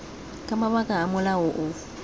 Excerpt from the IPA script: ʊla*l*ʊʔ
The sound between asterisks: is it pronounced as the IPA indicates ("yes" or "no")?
no